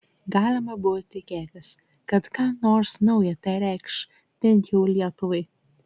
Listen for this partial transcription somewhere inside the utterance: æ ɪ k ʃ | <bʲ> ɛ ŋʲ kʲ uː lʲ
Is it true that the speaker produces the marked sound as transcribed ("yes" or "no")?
no